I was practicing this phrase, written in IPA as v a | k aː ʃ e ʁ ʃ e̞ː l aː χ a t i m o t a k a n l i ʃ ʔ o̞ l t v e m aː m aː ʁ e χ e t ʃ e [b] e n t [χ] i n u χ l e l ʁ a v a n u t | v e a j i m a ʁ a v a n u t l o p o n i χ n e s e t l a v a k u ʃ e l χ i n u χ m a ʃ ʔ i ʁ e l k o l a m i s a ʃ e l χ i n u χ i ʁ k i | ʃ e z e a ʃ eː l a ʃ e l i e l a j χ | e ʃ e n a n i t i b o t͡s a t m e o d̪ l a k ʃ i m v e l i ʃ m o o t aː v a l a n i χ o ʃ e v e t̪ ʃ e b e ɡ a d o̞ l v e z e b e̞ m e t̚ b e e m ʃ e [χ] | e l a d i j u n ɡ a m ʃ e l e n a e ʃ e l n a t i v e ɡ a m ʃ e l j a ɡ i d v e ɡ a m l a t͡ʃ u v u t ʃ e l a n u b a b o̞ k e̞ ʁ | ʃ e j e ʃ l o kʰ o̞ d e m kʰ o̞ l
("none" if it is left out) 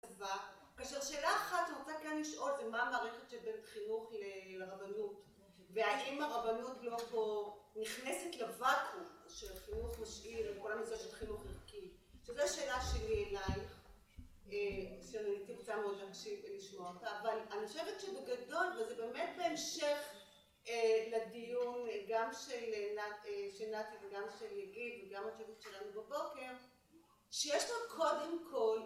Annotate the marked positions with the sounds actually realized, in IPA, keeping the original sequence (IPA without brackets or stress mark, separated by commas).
b, χ, χ